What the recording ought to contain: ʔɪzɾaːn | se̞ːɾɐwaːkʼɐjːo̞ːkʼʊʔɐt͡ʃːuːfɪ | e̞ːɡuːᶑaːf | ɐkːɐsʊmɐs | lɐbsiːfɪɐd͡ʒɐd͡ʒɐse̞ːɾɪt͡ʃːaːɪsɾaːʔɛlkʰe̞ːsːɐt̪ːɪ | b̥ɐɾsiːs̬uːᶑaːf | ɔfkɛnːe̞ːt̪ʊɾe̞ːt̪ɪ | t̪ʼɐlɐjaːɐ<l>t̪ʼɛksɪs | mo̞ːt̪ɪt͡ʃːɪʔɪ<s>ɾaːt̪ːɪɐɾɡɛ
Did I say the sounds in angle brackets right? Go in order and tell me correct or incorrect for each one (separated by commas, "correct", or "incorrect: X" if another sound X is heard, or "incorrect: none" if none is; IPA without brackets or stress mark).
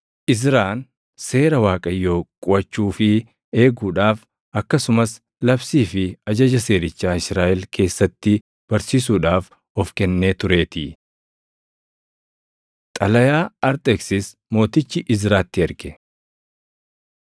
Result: incorrect: ɾ, incorrect: z